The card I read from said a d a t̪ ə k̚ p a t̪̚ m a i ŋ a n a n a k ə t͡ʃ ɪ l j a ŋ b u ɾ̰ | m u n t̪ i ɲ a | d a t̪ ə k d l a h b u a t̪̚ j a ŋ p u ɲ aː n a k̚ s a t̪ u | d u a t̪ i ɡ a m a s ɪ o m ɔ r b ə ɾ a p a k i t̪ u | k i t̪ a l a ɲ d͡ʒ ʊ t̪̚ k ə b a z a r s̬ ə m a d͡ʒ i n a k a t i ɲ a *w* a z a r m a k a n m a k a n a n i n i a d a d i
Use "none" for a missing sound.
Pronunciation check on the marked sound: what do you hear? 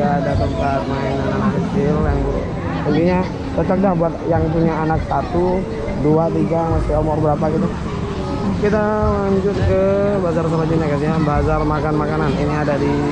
b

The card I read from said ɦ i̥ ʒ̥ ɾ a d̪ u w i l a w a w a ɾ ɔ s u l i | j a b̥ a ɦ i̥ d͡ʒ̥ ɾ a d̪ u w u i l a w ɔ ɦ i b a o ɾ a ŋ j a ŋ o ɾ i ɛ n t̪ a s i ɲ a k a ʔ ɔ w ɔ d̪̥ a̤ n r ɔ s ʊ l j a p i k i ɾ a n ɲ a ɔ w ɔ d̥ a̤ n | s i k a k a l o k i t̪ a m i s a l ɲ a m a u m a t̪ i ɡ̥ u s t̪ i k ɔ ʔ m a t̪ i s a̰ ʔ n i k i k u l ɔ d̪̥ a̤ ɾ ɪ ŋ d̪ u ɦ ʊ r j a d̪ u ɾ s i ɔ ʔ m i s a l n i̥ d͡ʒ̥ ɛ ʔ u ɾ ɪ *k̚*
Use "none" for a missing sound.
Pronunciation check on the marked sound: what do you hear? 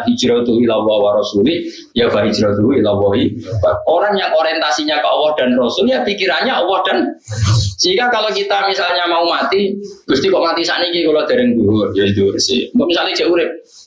p̚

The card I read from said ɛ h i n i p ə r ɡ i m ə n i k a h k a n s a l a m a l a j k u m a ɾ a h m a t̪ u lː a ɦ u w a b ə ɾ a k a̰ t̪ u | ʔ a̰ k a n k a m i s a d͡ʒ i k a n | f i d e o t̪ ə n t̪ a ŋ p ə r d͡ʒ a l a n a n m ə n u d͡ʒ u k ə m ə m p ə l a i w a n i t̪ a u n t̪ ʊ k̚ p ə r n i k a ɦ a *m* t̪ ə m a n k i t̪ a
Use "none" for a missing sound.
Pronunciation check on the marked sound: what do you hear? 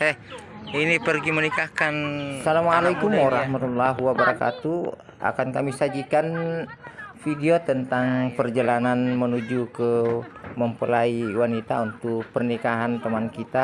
n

